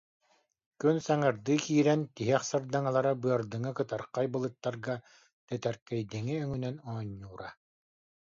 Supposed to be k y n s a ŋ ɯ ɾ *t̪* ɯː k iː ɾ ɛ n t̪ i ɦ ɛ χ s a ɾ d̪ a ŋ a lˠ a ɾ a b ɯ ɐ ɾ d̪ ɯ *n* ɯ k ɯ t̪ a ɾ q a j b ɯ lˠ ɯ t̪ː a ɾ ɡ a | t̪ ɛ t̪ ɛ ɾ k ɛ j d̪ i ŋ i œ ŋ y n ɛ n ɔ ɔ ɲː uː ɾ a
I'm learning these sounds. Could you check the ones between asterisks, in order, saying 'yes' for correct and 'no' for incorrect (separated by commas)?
no, no